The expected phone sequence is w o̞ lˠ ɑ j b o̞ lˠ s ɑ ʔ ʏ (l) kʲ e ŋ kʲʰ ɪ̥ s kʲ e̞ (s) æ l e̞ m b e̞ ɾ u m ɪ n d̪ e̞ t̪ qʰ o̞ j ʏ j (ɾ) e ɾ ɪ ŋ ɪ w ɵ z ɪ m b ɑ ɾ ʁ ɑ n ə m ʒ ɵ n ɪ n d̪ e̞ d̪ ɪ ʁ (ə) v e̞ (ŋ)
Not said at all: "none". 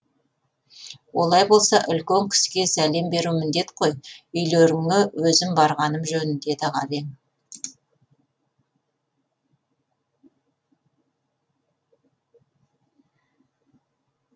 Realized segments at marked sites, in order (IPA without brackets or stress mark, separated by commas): l, s, l, ɑ, ŋ